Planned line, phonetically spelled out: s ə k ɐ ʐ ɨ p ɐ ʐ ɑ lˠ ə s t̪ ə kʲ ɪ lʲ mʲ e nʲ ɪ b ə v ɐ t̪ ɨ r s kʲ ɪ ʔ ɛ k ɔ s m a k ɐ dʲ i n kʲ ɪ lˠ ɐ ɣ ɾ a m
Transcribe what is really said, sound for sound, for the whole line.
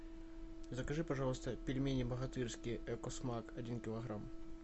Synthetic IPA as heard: z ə k ɐ ʐ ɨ p ɐ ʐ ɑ lˠ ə s t̪ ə pʲ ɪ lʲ mʲ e nʲ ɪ b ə ɣ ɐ t̪ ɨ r s kʲ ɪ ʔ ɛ k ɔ s m a k ɐ dʲ i n kʲ ɪ lˠ ɐ ɣ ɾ a m